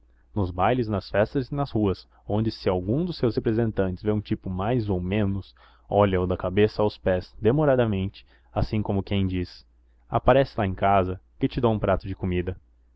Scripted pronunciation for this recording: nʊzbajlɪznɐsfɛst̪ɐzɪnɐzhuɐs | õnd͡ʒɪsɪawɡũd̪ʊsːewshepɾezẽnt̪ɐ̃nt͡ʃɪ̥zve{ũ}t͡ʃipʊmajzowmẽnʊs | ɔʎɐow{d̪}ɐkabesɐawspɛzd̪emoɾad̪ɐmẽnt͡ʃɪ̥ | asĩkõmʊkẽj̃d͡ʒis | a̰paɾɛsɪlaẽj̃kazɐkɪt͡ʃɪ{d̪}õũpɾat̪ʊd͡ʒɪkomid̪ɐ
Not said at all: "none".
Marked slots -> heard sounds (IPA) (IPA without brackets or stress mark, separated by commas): ũ, d̪, d̪